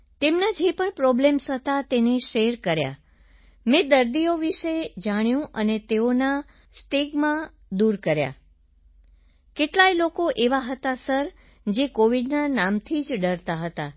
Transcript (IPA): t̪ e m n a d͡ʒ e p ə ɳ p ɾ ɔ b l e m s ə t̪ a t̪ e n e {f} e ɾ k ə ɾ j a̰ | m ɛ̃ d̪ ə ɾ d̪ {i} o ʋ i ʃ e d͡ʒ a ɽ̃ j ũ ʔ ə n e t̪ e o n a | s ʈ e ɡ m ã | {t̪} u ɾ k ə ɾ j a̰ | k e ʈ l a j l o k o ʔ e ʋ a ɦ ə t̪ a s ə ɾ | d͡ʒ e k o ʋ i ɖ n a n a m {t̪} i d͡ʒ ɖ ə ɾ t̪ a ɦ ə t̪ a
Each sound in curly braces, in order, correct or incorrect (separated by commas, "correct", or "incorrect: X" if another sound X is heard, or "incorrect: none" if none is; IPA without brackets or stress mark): incorrect: ʃ, correct, incorrect: d̪, incorrect: t̪ʰ